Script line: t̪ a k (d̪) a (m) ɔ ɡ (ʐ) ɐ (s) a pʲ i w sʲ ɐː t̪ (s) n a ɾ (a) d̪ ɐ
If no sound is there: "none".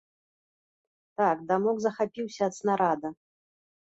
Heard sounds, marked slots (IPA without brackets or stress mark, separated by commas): d̪, m, z, x, s, a